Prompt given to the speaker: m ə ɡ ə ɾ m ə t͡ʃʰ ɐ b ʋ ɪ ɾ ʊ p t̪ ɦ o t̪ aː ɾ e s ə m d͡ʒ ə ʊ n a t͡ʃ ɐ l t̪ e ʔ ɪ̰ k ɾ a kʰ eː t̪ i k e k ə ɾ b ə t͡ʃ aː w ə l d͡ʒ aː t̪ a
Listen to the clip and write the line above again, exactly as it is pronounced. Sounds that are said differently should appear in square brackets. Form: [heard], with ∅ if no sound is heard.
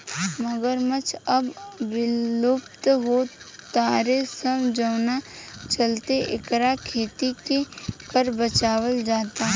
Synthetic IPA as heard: m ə ɡ ə ɾ m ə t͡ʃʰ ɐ b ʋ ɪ [l] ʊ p t̪ ɦ o t̪ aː ɾ e s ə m d͡ʒ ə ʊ n a t͡ʃ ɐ l t̪ e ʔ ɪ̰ k ɾ a kʰ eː t̪ i k e k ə ɾ b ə t͡ʃ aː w ə l d͡ʒ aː t̪ a

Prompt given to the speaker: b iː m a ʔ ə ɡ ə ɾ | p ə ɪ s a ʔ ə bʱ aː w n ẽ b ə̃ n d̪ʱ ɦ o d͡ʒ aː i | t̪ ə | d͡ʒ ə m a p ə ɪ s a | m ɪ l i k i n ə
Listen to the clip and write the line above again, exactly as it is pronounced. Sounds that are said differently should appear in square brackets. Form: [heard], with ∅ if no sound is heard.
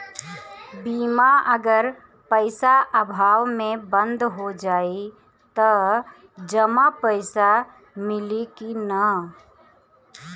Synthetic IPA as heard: b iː m a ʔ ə ɡ ə ɾ | p ə ɪ s a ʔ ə bʱ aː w [m] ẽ b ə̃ n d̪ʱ ɦ o d͡ʒ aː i | t̪ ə | d͡ʒ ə m a p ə ɪ s a | m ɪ l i k i n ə

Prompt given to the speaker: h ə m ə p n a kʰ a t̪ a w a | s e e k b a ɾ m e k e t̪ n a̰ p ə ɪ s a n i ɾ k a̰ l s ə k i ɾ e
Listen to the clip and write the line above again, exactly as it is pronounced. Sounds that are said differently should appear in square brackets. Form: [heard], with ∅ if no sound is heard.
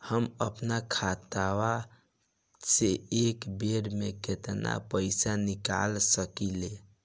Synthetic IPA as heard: h ə m ə p n a kʰ a t̪ a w a | s e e k b [e] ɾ m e k e t̪ n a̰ p ə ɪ s a n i [∅] k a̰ l s ə k i [l] e

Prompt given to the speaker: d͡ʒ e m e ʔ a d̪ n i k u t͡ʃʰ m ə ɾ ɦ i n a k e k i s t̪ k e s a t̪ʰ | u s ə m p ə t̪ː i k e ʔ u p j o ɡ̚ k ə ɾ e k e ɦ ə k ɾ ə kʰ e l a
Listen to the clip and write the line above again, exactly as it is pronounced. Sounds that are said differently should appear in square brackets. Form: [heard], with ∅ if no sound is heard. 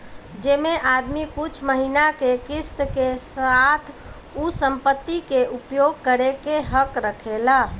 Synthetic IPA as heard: d͡ʒ e m e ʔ a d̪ [m] i k u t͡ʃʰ m ə [∅] ɦ i n a k e k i s t̪ k e s a t̪ʰ | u s ə m p ə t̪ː i k e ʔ u p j o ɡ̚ k ə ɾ e k e ɦ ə k ɾ ə kʰ e l a

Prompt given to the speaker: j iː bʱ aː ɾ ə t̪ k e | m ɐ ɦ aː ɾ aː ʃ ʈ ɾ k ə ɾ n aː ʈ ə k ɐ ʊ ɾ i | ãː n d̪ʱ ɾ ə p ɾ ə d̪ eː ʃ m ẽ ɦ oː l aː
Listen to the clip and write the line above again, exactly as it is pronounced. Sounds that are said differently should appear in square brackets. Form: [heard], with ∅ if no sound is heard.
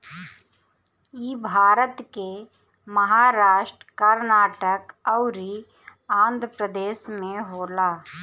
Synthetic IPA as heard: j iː bʱ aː ɾ ə t̪ k e | m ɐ ɦ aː ɾ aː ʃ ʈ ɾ k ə ɾ n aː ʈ ə k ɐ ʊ ɾ i | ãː n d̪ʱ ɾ ə p ɾ ə d̪ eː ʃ m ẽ ɦ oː l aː

